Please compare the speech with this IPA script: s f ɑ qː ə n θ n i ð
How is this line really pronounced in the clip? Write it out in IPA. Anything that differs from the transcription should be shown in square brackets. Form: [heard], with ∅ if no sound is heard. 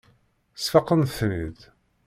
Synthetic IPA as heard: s f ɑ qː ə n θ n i ð